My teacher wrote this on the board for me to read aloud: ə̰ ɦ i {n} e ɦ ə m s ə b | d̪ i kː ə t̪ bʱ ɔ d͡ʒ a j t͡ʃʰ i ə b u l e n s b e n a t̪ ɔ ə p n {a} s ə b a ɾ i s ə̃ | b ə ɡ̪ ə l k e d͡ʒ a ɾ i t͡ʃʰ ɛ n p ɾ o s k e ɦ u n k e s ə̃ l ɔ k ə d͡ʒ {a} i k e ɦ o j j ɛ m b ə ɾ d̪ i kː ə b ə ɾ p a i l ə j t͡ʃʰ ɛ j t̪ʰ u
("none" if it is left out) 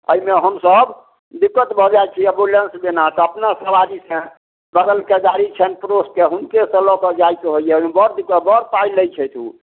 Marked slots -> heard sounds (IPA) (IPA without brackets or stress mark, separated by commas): m, a, a